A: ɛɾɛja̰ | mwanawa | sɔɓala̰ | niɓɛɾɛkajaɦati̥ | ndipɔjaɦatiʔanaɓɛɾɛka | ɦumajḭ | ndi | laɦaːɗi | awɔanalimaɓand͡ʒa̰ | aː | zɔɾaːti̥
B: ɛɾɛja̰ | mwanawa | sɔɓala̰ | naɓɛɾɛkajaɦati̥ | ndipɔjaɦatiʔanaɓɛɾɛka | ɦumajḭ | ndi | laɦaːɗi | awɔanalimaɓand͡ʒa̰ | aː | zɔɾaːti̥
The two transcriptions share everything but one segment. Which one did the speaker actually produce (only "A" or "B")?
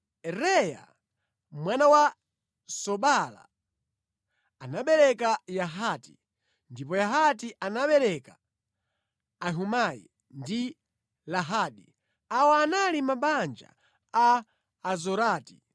B